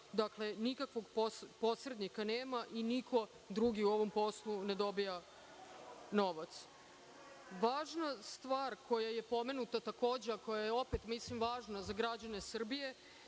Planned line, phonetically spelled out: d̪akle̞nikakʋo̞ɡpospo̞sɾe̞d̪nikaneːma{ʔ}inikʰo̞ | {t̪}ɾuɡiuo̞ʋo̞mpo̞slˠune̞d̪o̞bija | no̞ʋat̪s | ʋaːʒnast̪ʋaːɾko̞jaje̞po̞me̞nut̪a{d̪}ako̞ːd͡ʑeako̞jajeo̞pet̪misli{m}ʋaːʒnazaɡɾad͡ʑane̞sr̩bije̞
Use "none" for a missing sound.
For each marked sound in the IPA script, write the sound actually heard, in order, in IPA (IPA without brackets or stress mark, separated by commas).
ʔ, d̪, t̪, m